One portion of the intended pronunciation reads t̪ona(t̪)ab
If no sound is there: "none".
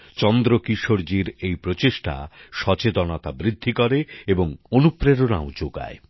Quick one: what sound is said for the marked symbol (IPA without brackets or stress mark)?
t̪